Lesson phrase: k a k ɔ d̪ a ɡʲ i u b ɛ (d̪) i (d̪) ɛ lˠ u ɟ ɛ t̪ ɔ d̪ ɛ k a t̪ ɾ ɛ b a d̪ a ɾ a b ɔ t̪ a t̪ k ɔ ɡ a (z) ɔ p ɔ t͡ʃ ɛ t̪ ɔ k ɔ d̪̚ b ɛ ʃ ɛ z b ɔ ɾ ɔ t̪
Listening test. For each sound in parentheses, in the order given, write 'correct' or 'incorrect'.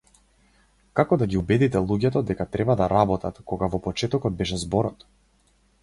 correct, incorrect, incorrect

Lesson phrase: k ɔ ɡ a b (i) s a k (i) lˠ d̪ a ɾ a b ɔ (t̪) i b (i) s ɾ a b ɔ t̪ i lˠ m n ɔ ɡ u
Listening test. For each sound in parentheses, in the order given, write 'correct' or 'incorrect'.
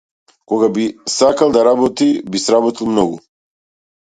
correct, incorrect, correct, correct

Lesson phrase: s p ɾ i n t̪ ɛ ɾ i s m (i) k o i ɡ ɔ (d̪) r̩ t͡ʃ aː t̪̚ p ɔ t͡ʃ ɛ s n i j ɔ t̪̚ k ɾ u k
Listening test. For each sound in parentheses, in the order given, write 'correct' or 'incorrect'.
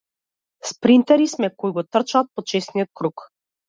incorrect, incorrect

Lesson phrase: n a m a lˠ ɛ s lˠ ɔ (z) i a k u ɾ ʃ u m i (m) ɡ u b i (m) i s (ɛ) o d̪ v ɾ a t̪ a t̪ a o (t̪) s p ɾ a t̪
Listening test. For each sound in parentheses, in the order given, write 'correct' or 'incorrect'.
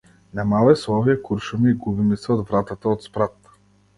incorrect, incorrect, correct, correct, correct

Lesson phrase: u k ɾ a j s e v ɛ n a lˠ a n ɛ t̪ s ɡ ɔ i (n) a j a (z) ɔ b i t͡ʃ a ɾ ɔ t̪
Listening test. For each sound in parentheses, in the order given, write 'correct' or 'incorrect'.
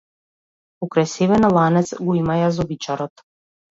incorrect, correct

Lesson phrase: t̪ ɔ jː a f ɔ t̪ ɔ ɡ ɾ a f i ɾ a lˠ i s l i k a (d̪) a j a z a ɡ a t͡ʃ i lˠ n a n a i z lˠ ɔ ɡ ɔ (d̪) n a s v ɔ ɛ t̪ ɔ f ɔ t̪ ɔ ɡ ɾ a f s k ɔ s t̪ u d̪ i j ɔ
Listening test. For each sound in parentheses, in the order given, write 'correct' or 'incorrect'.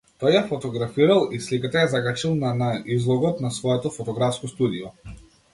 incorrect, incorrect

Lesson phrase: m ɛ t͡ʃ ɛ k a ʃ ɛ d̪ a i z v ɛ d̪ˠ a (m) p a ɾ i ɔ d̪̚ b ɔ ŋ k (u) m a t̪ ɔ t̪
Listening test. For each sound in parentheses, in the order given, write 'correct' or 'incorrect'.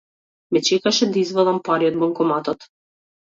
correct, incorrect

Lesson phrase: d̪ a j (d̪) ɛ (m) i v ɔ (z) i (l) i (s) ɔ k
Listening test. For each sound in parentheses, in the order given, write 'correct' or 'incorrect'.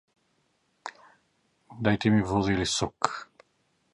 incorrect, correct, correct, correct, correct

